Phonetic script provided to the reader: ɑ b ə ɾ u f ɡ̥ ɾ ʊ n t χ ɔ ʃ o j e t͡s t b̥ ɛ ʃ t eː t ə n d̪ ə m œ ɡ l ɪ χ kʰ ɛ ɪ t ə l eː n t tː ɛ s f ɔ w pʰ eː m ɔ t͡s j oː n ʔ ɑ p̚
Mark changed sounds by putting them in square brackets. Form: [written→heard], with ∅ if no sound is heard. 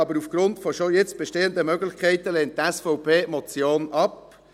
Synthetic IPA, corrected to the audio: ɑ b ə ɾ u f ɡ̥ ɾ ʊ n t [χ→f] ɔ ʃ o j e t͡s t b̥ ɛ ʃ t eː [t→∅] ə n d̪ ə m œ ɡ l ɪ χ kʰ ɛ ɪ t ə l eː n t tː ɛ s f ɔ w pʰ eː m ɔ t͡s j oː n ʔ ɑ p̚